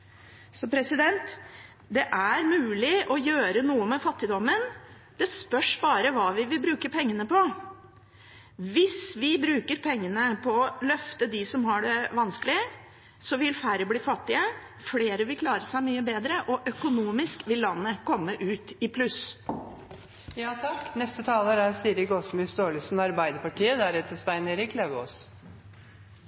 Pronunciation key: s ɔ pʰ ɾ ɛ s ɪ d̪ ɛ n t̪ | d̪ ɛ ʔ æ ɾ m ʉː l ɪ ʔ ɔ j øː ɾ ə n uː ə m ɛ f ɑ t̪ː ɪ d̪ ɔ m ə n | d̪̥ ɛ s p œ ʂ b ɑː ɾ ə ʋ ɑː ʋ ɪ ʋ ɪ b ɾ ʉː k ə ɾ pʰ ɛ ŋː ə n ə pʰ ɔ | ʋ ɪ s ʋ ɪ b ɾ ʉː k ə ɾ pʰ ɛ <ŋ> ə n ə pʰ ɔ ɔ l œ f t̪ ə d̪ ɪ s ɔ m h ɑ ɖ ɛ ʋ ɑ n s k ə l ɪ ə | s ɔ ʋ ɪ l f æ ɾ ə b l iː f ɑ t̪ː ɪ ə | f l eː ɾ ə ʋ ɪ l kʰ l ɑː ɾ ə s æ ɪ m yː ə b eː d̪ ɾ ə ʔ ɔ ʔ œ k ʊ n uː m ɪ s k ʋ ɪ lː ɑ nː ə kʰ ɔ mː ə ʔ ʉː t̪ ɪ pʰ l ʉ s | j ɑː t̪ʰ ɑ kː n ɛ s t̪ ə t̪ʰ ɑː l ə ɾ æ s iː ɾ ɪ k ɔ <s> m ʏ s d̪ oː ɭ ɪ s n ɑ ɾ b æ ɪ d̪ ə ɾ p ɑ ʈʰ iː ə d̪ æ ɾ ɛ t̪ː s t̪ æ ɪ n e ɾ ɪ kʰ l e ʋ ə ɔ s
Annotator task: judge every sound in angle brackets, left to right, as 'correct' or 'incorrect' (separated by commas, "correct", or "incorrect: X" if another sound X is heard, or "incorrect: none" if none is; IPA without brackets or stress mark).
incorrect: ŋː, correct